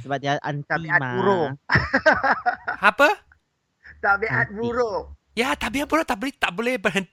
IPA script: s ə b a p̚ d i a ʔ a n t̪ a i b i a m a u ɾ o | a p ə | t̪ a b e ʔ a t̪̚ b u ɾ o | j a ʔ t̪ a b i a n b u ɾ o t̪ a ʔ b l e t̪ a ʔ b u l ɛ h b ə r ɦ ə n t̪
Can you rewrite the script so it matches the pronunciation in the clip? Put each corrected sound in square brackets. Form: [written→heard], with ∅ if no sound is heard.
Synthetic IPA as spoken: s ə b a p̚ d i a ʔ a n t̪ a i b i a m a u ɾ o | a p ə | t̪ a b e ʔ a t̪̚ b u ɾ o | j a [ʔ→∅] t̪ a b i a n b u ɾ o t̪ a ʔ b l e t̪ a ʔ b [u→o] l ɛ h b ə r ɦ ə n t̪